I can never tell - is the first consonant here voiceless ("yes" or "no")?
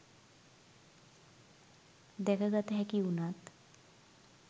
no